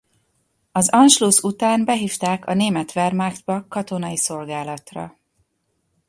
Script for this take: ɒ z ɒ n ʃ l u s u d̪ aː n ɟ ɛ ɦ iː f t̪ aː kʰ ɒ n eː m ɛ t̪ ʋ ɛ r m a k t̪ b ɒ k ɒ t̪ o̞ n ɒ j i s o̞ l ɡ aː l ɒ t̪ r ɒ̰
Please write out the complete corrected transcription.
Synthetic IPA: ɒ z ɒ n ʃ l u s u t̪ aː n b ɛ ɦ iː f t̪ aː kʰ ɒ n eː m ɛ t̪ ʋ ɛ r m a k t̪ b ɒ k ɒ t̪ o̞ n ɒ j i s o̞ l ɡ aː l ɒ t̪ r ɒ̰